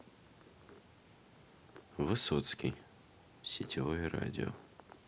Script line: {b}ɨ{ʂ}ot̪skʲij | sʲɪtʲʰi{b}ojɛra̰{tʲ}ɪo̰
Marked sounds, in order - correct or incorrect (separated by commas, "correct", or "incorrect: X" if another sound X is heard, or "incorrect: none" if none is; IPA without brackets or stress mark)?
incorrect: v, incorrect: s, incorrect: v, incorrect: dʲ